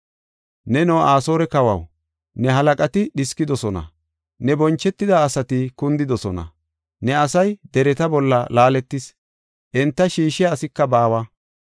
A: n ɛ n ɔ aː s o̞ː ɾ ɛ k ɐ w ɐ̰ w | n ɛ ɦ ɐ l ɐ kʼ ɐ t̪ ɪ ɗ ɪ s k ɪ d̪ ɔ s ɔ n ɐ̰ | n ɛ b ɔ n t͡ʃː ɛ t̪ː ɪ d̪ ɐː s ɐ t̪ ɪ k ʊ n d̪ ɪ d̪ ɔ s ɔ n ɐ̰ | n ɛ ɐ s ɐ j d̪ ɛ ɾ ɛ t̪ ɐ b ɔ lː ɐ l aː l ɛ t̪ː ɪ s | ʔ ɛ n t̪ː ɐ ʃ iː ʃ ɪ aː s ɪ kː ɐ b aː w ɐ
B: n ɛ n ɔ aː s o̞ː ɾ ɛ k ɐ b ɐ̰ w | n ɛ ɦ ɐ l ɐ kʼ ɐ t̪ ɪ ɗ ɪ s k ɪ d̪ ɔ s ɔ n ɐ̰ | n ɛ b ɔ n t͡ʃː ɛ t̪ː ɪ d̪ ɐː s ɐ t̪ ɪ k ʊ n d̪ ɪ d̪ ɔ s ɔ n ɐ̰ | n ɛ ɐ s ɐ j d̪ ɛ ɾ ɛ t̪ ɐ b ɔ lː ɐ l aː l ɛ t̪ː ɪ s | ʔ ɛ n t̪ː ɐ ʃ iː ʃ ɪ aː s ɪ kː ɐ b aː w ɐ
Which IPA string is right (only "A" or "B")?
A